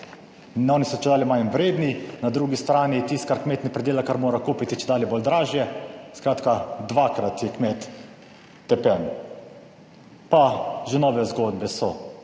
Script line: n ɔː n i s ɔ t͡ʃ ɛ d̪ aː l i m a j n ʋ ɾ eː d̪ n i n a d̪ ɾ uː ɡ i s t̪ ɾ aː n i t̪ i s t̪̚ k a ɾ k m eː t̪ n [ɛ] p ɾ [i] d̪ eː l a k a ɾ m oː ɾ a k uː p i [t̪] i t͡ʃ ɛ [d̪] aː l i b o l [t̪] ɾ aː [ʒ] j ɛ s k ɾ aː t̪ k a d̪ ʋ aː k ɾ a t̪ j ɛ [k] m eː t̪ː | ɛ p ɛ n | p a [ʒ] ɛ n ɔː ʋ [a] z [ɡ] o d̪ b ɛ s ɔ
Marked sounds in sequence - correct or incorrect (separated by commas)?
correct, incorrect, correct, correct, incorrect, correct, correct, correct, incorrect, correct